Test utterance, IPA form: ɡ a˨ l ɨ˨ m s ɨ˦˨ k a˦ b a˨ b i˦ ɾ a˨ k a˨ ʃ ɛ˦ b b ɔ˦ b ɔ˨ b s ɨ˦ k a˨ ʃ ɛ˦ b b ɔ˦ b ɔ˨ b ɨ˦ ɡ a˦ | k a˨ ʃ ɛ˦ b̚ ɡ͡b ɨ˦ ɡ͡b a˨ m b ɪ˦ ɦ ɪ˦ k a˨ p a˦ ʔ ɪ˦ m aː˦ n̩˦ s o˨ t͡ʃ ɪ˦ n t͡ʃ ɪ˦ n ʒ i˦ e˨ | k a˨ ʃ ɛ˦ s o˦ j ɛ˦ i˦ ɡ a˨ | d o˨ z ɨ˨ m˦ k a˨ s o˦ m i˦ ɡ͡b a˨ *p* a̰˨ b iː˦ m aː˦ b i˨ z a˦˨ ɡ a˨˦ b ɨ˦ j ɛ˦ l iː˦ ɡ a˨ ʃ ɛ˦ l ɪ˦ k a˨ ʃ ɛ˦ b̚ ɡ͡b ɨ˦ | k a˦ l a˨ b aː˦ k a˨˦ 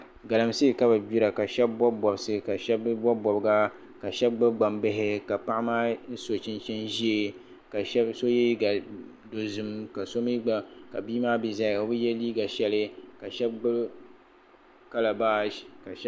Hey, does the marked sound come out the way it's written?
no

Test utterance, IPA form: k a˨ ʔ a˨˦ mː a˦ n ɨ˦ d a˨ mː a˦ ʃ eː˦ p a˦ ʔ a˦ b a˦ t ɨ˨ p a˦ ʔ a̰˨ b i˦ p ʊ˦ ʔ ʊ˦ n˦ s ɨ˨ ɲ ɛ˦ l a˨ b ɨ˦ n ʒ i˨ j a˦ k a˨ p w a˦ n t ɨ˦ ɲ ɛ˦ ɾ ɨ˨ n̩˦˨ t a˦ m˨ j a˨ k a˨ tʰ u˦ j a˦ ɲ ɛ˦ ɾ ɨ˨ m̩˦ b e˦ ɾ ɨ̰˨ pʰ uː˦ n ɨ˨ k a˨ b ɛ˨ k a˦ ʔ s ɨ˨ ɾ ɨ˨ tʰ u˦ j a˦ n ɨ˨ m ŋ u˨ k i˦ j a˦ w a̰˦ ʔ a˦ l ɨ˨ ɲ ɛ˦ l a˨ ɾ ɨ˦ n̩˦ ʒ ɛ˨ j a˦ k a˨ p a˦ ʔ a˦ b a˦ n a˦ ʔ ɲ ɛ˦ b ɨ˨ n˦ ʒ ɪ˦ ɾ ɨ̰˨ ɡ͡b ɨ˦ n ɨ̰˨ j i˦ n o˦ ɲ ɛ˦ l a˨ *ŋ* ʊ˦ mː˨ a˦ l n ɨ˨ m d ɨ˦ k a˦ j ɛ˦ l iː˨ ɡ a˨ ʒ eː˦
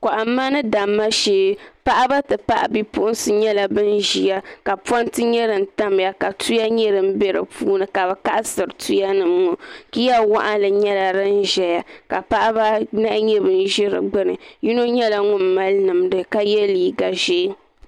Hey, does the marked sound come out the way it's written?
yes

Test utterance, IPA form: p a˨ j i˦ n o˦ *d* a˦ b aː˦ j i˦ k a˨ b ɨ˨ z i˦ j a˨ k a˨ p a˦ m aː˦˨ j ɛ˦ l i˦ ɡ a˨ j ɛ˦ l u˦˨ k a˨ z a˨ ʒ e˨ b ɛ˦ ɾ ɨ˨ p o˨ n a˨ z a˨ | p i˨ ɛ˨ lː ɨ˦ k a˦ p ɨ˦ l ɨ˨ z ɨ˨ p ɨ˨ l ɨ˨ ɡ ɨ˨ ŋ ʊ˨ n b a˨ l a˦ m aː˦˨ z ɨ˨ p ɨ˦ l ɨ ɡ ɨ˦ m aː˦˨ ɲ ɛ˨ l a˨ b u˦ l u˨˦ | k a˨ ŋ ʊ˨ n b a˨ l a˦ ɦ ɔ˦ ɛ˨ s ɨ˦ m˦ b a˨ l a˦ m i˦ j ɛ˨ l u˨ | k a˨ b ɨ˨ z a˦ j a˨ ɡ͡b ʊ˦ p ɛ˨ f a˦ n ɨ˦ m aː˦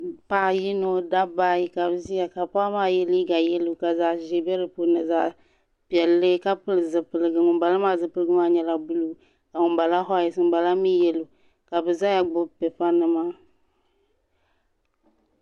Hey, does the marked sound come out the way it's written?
yes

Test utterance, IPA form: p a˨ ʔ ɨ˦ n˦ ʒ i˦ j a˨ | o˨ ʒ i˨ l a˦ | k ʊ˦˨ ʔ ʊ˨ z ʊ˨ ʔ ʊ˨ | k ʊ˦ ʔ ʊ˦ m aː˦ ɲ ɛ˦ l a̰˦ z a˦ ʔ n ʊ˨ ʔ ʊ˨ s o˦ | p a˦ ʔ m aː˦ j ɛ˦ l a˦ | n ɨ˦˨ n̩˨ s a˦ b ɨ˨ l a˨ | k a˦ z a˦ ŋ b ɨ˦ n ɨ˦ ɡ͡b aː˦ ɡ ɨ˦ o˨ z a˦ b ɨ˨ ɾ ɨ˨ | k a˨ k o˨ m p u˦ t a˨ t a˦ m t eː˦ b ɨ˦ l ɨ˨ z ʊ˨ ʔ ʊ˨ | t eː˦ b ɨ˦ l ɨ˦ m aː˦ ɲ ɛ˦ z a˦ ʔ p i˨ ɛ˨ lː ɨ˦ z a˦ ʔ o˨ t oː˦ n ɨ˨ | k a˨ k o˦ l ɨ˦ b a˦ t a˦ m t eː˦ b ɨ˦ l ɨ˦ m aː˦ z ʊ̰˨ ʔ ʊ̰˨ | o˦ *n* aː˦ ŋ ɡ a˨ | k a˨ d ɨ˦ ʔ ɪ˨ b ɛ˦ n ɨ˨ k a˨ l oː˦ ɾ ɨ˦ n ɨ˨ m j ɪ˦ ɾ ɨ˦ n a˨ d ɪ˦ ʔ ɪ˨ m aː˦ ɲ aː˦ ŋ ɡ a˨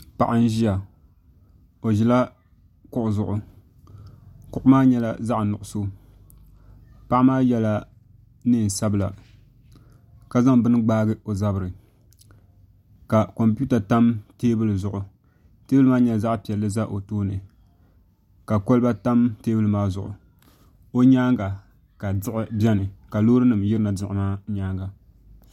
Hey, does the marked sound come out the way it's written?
no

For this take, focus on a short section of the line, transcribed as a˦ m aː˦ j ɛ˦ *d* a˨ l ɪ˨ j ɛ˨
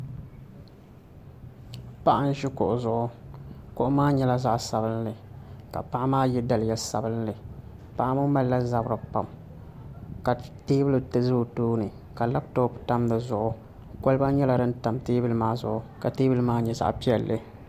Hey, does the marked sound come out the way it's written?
yes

